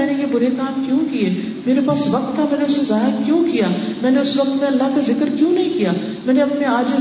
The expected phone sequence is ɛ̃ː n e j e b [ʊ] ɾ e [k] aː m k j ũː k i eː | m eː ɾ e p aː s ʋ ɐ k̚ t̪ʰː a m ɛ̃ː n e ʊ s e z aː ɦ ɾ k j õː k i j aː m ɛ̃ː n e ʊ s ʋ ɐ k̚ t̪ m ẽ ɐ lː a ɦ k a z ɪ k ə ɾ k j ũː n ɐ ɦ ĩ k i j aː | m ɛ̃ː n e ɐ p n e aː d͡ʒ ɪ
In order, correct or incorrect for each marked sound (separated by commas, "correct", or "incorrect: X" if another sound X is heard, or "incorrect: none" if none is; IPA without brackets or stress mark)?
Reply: correct, correct